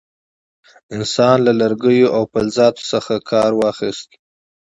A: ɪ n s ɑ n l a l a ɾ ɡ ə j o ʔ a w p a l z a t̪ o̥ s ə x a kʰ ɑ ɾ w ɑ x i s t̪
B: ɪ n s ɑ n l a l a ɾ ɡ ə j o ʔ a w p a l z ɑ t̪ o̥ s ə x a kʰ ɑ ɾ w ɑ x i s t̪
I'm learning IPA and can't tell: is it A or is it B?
B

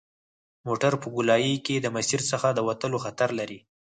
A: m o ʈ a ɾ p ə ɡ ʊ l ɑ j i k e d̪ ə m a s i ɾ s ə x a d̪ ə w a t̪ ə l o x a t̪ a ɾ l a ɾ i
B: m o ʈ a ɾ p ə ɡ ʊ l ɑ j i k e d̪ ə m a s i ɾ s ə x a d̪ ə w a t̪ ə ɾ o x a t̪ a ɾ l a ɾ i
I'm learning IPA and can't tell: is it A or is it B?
A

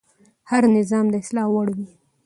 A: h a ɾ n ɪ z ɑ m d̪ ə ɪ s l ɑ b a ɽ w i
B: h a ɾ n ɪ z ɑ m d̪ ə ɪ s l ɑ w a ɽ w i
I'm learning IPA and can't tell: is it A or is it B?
B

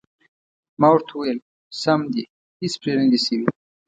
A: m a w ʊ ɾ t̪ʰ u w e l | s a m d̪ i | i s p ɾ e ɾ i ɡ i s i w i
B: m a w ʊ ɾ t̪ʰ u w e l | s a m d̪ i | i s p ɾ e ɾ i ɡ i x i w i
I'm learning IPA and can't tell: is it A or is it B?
A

